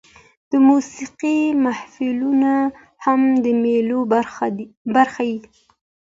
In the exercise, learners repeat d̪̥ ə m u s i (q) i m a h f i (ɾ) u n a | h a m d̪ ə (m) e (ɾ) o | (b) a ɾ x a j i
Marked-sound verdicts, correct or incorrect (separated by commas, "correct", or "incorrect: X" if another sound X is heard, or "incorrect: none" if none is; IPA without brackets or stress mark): correct, incorrect: l, correct, incorrect: l, correct